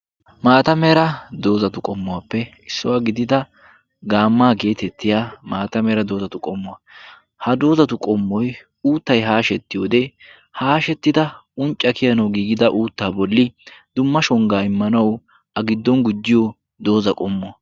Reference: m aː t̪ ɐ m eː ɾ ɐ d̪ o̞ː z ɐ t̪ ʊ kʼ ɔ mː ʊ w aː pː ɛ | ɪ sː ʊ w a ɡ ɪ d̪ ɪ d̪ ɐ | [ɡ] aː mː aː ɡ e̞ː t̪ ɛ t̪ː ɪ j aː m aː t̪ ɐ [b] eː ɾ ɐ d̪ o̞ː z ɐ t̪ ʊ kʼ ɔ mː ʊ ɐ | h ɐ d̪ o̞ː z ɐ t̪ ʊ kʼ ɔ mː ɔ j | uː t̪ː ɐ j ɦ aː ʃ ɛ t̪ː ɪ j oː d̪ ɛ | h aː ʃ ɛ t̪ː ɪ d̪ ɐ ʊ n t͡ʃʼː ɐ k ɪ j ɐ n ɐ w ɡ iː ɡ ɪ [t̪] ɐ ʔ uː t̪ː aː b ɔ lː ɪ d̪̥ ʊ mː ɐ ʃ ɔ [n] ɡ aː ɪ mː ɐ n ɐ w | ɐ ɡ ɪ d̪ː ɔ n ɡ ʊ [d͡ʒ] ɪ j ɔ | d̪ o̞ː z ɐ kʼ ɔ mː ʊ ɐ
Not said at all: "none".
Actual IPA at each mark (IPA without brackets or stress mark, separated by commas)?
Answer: ɡ, m, d̪, ŋ, d͡ʒː